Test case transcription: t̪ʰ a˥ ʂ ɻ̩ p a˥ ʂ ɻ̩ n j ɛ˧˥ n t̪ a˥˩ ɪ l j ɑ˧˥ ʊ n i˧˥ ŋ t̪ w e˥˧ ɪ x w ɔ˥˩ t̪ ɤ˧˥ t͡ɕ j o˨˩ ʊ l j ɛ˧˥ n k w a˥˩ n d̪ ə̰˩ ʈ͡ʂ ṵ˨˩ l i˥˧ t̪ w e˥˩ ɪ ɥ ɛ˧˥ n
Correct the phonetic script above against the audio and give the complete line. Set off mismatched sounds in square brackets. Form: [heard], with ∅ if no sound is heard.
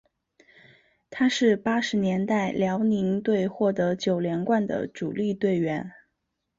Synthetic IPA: t̪ʰ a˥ ʂ ɻ̩ p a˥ ʂ ɻ̩ n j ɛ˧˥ n t̪ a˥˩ ɪ l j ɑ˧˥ ʊ n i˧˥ ŋ t̪ w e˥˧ ɪ x w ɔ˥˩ t̪ ɤ˧˥ t͡ɕ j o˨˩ ʊ l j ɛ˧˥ n k w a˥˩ n d̪ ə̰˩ ʈ͡ʂ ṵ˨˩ l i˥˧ t̪ w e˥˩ ɪ ɥ ɛ˧˥ n